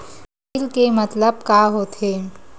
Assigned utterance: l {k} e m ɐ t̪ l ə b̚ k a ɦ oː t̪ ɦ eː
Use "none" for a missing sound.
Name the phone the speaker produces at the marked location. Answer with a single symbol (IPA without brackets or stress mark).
k